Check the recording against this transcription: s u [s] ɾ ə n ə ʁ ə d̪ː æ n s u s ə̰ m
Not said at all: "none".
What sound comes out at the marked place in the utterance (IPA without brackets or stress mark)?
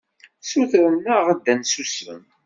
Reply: θ